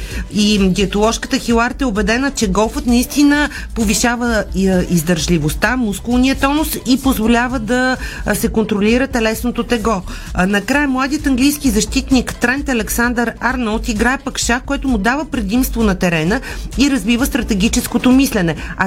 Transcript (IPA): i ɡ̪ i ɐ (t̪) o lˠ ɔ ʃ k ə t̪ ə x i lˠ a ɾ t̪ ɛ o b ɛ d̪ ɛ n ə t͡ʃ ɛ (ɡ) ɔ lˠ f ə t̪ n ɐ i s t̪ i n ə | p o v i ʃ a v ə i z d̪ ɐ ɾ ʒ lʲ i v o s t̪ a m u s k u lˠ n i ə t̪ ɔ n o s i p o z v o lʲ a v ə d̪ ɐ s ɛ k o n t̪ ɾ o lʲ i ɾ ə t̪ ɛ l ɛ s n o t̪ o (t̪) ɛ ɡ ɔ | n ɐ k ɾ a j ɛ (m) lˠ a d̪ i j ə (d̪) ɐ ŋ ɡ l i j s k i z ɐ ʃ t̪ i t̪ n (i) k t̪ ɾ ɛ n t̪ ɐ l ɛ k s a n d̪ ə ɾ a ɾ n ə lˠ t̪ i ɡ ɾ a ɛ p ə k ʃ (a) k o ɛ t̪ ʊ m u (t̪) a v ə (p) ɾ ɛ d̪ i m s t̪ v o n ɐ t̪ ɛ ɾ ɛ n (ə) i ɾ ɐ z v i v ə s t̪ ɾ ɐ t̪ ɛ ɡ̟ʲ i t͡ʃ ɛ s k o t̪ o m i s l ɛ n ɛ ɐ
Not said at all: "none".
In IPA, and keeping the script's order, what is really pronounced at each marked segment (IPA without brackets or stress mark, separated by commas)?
t̪, ɡ, t̪, m, t̪, i, a, d̪, p, ə